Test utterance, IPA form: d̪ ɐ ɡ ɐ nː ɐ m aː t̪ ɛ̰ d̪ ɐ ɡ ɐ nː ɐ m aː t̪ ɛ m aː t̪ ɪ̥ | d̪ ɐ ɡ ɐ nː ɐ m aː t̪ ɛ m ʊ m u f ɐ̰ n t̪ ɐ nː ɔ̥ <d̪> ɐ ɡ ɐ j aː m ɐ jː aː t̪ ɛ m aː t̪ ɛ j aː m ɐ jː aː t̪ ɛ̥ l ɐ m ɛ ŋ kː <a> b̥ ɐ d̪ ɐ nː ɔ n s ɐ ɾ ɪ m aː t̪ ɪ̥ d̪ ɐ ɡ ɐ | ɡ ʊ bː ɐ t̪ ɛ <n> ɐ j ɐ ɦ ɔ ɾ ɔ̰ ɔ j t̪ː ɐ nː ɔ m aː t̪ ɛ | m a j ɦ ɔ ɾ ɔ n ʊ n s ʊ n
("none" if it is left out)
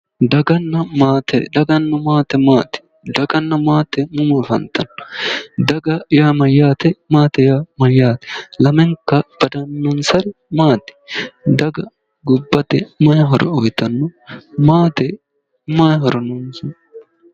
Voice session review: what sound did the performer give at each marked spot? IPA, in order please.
d̪, ɐ, m

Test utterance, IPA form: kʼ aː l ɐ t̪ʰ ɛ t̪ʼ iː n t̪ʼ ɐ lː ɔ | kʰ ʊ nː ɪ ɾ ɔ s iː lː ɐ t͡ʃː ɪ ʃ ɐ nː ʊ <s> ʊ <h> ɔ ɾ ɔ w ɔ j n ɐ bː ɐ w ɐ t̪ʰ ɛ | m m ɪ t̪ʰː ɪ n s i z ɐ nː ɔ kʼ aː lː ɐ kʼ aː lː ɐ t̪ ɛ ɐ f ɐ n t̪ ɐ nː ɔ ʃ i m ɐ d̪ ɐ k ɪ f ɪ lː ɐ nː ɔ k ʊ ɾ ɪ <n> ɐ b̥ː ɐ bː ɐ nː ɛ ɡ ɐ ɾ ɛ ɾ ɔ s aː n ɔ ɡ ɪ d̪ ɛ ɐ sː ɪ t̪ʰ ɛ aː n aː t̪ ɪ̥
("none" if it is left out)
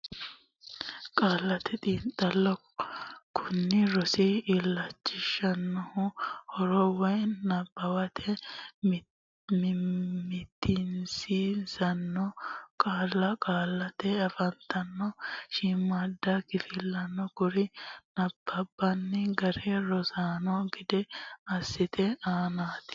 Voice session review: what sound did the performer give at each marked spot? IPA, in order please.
h, h, n

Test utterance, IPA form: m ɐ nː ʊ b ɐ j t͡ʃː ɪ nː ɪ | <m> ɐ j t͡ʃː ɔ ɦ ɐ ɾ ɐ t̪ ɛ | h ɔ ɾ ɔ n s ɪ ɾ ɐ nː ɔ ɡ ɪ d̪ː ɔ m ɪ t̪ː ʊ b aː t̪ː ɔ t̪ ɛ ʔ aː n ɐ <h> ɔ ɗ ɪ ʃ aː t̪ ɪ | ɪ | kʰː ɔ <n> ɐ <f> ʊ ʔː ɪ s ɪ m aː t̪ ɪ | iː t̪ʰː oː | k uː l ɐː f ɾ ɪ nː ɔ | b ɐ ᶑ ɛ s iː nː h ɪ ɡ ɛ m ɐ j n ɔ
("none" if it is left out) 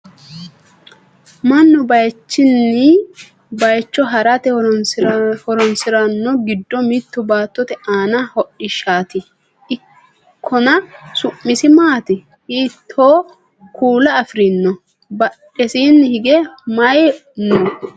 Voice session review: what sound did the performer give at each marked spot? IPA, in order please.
b, h, n, s

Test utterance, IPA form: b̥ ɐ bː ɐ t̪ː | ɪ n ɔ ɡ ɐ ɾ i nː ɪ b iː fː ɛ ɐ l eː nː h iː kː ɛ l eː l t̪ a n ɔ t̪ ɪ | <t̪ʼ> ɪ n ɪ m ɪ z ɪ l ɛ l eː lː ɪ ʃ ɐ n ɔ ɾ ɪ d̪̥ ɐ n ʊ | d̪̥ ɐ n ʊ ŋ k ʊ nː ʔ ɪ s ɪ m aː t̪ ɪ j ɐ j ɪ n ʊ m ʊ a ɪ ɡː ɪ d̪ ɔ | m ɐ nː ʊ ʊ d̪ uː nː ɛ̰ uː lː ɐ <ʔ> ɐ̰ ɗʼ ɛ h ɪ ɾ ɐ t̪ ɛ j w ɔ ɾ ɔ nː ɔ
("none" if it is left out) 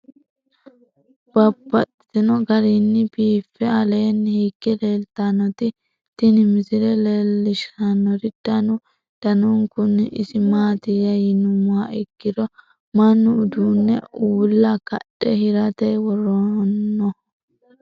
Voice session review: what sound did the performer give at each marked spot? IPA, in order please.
t̪, k

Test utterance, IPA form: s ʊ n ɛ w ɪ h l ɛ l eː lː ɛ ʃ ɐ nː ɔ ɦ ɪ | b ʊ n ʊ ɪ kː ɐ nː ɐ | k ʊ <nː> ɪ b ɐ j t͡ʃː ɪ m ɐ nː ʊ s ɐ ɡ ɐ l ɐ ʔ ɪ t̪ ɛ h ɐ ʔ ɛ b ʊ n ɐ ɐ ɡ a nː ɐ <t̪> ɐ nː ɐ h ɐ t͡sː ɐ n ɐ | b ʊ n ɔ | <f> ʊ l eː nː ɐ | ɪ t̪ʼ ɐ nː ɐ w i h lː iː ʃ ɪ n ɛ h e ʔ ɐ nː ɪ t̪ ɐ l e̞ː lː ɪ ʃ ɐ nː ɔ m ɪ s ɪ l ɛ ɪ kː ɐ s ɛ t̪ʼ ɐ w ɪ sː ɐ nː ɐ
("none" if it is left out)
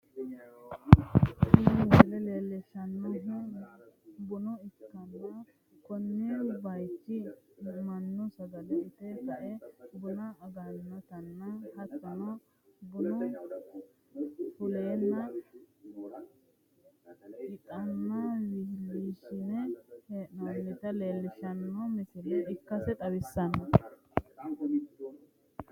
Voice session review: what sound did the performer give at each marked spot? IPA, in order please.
nː, t̪, f

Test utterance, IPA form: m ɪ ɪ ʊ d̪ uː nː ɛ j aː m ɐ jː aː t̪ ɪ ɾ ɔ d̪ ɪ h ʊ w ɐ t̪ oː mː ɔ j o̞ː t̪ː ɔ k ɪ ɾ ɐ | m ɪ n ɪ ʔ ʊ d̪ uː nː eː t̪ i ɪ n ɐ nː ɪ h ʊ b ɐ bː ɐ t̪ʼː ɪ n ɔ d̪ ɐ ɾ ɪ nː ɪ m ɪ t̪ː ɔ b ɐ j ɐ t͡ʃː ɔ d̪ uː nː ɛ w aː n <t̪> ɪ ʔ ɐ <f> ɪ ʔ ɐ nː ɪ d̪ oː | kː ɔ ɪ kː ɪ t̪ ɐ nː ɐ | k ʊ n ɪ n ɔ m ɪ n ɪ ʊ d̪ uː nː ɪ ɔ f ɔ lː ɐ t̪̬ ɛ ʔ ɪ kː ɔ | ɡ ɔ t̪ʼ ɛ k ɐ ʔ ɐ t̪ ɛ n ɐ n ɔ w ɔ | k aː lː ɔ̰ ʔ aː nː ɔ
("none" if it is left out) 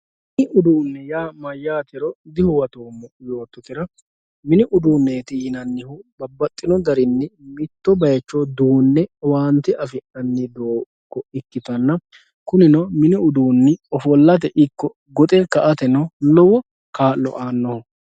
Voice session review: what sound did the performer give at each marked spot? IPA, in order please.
t̪, f

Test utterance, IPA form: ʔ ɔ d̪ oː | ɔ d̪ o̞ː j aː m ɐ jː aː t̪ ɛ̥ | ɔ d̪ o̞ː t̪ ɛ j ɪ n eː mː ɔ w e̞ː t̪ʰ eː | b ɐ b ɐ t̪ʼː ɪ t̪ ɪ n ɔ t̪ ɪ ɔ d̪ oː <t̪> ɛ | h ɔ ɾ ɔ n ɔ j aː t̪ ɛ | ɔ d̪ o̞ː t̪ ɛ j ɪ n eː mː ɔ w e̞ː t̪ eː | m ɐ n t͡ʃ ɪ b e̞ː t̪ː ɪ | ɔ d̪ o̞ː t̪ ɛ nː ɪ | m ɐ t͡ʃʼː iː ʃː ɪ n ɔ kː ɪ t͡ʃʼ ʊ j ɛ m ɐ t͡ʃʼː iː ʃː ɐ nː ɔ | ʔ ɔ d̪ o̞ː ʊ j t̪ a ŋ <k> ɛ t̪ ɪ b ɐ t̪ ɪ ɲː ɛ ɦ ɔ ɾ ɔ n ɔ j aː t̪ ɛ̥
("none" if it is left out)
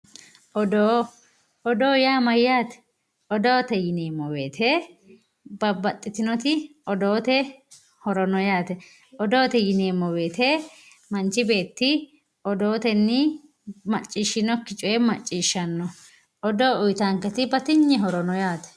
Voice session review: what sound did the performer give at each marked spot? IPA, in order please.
t̪, k

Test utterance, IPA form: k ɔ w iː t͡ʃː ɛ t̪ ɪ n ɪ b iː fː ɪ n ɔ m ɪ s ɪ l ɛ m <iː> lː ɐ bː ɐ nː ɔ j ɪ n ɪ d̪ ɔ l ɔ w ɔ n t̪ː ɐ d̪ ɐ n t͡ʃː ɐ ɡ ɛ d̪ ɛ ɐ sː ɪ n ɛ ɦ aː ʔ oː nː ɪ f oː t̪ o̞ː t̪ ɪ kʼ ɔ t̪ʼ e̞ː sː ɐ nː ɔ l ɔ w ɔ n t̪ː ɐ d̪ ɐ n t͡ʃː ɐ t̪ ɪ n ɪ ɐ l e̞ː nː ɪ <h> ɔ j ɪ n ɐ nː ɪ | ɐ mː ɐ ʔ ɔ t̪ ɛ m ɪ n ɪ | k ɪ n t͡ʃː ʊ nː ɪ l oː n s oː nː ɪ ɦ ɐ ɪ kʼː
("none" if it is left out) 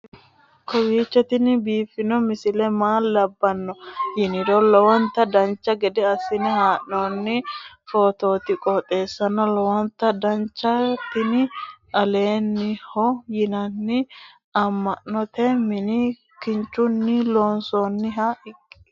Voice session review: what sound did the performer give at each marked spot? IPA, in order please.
aː, h

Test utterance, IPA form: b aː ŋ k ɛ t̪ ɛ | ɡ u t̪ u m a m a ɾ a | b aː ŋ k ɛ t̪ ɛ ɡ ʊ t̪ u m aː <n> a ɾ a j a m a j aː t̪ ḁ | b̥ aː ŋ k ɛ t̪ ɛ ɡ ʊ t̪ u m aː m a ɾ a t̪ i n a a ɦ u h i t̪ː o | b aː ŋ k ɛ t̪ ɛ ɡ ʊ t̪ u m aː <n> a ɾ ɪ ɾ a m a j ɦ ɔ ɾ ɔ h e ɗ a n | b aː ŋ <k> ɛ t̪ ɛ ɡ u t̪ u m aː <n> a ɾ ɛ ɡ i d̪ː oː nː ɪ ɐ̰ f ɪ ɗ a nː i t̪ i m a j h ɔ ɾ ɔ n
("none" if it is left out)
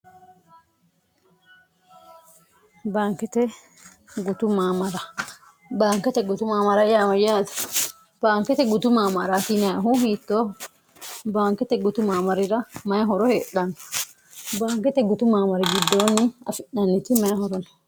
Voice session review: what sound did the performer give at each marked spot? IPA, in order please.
m, m, k, m

